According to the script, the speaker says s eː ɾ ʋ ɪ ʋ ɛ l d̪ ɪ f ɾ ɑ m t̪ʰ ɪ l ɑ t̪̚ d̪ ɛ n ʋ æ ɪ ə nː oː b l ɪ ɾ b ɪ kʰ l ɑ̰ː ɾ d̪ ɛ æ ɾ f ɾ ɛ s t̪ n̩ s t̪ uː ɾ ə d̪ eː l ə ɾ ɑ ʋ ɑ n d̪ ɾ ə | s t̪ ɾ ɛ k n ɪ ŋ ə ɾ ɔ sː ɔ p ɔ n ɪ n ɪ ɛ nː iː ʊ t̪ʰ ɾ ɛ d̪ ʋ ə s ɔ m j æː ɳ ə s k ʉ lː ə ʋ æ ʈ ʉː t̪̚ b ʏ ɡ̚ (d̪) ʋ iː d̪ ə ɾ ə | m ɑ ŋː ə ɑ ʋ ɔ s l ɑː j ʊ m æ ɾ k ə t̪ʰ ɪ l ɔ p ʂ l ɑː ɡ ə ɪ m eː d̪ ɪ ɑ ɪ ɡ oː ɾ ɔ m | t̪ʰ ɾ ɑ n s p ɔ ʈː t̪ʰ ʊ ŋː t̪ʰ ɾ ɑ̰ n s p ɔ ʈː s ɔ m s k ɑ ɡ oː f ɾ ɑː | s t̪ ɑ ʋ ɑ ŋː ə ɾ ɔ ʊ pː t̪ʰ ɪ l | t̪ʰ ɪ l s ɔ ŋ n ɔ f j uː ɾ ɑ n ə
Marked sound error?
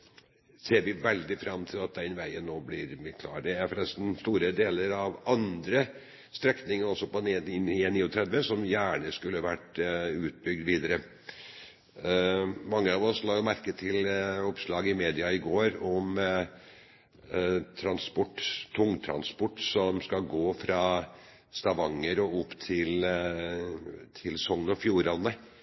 no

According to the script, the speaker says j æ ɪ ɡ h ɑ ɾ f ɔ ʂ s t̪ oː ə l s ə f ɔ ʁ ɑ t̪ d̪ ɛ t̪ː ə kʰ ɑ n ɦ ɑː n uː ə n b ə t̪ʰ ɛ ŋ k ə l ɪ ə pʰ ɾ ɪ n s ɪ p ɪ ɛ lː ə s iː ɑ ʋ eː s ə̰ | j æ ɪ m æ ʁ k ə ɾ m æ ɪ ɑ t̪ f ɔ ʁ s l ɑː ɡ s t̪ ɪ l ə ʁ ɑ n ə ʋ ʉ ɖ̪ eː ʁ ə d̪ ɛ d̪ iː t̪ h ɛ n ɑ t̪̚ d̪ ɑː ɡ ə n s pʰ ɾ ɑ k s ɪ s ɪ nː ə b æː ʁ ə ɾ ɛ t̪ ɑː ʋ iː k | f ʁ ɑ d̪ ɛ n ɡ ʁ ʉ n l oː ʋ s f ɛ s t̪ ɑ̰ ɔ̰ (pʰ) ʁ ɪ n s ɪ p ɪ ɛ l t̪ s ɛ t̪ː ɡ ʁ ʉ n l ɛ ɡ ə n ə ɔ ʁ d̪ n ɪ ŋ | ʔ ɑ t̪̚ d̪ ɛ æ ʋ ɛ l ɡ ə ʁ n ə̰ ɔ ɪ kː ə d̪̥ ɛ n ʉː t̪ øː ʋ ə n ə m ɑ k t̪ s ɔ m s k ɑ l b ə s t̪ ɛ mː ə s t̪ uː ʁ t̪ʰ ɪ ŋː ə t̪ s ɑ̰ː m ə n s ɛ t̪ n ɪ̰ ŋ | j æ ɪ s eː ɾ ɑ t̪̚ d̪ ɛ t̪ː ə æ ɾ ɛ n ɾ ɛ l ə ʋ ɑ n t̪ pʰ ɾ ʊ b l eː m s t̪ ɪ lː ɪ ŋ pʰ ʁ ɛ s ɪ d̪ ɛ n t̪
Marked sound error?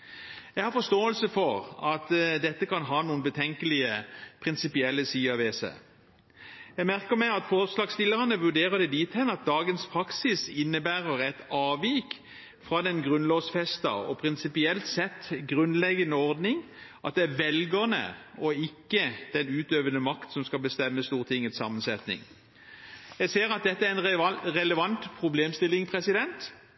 no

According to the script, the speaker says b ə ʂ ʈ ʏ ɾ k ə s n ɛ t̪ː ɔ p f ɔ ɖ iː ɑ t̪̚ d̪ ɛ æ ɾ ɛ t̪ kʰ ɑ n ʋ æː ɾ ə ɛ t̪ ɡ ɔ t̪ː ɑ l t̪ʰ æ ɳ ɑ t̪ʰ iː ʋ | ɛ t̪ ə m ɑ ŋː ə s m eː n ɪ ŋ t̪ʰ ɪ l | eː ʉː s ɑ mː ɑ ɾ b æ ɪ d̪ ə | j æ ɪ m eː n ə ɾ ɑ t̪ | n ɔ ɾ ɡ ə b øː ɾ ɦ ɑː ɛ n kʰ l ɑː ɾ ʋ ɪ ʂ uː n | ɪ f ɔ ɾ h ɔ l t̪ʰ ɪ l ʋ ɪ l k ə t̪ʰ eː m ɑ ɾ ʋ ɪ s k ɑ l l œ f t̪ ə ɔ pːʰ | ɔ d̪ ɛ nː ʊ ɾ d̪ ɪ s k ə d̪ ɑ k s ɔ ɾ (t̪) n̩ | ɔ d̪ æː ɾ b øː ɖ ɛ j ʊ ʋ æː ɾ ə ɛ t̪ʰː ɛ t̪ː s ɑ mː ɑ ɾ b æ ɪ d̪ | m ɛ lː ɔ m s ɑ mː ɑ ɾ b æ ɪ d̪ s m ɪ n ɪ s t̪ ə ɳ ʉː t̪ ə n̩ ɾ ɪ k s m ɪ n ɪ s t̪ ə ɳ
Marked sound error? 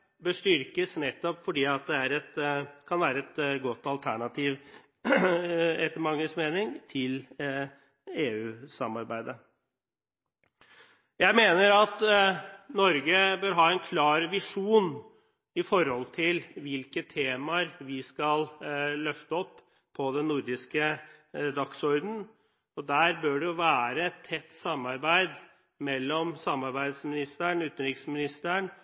yes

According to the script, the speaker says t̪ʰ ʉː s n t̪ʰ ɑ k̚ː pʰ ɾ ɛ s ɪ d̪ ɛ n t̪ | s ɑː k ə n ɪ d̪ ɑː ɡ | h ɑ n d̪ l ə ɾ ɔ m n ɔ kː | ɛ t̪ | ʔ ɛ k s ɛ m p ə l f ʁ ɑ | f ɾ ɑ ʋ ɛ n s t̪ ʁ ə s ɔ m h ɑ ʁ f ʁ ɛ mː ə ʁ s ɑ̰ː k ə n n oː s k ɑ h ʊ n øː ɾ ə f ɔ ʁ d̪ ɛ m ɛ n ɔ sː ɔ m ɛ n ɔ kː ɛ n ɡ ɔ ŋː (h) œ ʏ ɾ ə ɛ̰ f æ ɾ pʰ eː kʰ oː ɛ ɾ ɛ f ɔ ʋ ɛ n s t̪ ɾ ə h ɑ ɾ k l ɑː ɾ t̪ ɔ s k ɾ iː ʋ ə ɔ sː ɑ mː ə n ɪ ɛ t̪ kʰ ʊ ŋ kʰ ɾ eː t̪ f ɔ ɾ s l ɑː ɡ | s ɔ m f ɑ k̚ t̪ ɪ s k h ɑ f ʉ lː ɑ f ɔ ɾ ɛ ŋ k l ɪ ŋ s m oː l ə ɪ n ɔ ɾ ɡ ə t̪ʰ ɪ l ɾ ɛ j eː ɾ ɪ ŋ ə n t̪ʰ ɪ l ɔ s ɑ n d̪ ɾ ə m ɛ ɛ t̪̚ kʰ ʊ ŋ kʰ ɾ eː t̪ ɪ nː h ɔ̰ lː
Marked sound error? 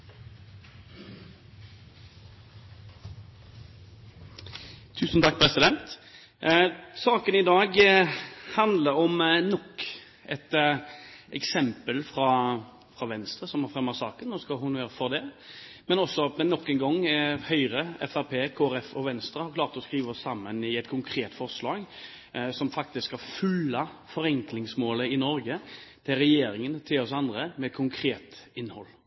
no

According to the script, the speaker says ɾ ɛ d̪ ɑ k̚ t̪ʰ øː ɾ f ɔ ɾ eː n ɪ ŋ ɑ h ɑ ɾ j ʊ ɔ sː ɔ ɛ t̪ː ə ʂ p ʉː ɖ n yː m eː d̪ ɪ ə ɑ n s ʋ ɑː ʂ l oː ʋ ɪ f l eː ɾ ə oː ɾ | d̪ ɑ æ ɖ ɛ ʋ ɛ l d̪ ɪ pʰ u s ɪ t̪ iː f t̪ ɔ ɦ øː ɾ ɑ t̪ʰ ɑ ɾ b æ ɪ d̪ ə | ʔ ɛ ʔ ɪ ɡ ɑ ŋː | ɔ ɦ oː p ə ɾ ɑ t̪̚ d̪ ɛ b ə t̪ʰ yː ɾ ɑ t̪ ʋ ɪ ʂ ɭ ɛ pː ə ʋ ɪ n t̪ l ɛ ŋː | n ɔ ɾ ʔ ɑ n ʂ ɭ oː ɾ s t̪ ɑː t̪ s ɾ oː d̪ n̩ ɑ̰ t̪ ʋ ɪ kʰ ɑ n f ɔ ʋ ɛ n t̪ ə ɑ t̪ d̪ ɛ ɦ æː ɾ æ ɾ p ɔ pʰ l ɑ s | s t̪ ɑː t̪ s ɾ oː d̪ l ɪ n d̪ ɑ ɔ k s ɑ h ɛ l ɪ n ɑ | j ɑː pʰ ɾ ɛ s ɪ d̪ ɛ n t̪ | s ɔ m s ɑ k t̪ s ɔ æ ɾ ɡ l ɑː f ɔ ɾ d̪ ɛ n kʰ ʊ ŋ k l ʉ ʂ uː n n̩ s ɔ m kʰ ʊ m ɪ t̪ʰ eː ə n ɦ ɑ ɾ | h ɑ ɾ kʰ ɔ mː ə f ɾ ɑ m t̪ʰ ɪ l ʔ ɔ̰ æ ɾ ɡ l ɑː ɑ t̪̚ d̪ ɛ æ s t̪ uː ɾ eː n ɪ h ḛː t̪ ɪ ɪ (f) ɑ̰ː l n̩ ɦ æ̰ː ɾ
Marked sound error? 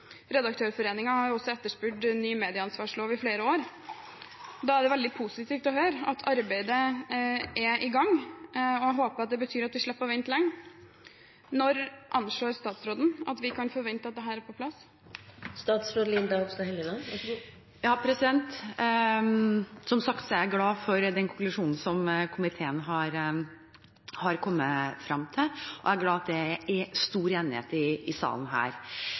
yes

